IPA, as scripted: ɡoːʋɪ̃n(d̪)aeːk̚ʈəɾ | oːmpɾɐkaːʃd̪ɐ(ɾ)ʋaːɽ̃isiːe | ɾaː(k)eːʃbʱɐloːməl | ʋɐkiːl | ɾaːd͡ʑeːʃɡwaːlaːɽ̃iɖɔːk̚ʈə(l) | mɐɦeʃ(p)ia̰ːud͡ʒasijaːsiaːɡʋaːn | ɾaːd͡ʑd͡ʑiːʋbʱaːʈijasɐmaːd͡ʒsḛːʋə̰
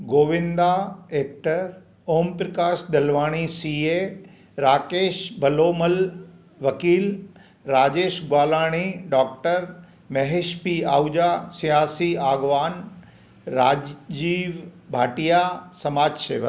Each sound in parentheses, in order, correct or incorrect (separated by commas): correct, incorrect, correct, incorrect, correct